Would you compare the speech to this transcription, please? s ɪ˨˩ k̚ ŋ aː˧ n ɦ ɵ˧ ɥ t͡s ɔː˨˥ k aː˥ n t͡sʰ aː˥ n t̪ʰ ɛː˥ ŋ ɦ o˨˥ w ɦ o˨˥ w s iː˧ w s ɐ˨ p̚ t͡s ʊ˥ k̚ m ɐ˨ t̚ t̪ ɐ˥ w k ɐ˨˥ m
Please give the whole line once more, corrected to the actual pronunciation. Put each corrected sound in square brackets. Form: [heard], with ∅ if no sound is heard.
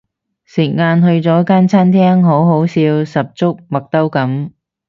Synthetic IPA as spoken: s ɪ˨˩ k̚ ŋ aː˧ n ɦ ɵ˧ ɥ t͡s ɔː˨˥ k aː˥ n t͡sʰ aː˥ n t̪ʰ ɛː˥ ŋ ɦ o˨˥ w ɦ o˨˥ w s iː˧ w s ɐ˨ p̚ t͡s ʊ˥ k̚ m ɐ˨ [k̚] t̪ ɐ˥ w k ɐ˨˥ m